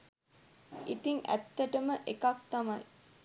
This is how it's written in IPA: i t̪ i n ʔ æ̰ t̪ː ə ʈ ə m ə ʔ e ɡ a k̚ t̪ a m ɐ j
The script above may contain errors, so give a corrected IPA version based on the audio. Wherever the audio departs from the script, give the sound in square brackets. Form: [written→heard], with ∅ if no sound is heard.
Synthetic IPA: i t̪ i [n→ŋ] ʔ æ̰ t̪ː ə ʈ ə m ə ʔ e [ɡ→k] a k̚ t̪ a m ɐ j